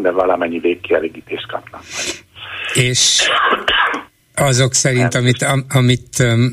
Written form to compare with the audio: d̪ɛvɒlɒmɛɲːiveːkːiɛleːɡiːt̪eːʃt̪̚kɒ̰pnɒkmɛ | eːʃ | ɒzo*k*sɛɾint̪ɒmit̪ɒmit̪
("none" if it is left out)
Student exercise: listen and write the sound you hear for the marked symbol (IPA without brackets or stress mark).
k